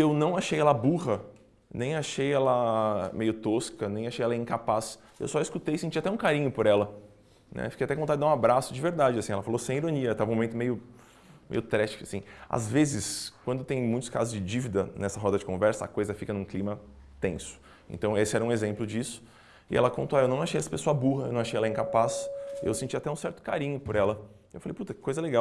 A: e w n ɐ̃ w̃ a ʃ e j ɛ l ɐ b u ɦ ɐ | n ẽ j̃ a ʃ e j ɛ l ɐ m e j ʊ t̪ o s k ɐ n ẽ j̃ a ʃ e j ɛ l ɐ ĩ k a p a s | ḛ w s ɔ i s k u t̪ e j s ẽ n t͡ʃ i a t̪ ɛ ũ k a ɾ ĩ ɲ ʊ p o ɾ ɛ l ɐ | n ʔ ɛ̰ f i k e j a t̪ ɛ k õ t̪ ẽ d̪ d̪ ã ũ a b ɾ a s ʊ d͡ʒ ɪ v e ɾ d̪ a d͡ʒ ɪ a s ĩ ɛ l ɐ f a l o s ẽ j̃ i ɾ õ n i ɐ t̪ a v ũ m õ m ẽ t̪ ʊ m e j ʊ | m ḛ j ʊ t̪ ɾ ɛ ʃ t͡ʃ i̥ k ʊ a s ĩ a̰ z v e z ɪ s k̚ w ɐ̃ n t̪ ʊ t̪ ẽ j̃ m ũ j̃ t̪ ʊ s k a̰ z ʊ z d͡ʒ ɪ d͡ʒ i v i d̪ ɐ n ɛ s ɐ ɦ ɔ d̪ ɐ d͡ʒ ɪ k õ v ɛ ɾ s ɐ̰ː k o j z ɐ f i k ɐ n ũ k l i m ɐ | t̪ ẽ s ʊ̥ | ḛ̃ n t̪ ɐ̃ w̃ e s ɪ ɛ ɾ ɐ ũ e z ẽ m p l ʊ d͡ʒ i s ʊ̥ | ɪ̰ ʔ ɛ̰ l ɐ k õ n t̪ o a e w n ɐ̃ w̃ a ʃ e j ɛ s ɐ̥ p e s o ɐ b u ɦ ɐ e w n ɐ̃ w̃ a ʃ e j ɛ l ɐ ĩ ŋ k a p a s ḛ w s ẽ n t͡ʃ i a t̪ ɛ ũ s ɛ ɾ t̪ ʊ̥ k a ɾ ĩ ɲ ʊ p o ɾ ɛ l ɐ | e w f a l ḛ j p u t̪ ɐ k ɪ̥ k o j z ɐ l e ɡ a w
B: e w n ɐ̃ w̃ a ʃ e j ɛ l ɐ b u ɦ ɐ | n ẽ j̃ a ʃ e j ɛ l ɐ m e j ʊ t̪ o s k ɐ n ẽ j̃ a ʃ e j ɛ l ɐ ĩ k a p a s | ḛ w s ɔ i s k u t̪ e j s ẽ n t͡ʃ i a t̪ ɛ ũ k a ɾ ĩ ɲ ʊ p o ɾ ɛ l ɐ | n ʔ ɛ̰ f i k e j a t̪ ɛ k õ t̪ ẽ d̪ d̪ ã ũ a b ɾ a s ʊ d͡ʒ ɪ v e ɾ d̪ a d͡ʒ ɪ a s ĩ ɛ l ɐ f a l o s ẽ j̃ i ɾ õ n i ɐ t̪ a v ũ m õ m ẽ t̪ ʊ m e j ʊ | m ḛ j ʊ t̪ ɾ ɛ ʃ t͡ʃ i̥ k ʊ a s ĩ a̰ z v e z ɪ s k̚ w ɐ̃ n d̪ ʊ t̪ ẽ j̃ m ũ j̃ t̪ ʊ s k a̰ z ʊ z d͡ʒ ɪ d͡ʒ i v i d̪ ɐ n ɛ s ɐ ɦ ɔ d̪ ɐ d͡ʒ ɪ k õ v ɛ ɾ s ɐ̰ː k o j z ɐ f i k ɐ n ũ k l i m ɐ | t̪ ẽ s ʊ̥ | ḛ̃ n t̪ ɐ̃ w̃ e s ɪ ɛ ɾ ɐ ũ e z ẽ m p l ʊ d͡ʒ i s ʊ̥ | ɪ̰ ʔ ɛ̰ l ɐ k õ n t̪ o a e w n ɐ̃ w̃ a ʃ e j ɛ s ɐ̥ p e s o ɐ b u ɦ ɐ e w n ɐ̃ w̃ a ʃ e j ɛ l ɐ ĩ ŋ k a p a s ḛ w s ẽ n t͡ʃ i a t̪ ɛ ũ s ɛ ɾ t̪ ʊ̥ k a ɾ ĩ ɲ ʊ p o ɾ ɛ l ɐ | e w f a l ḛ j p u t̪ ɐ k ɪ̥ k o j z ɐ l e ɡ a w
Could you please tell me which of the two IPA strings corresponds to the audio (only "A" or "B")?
B